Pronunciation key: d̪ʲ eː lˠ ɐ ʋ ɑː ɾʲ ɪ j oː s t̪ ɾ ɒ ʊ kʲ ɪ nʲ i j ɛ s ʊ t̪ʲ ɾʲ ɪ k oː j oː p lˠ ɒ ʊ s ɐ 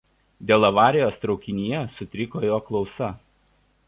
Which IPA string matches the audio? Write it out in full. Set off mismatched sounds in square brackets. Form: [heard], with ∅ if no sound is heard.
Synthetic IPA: d̪ʲ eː lˠ ɐ ʋ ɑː ɾʲ ɪ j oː s t̪ ɾ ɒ ʊ kʲ ɪ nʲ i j ɛ s ʊ t̪ʲ ɾʲ ɪ k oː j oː [k] lˠ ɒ ʊ s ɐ